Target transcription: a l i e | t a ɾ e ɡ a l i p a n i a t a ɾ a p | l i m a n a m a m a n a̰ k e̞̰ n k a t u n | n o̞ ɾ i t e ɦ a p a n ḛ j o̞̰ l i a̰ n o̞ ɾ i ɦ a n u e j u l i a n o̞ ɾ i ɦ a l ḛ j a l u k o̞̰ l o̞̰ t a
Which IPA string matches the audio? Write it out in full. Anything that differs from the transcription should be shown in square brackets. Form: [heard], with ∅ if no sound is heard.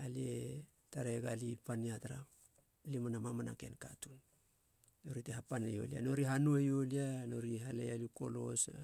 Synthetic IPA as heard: a l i e | t a ɾ e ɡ a l i p a n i a t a ɾ a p | l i m a n a m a m a n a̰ k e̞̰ n k a t u n | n o̞ ɾ i t e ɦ a p a n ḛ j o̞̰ l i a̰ n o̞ ɾ i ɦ a n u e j [o] l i a n o̞ ɾ i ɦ a l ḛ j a l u k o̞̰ l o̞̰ [s] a